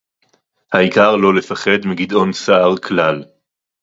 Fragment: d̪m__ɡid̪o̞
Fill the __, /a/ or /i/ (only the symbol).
i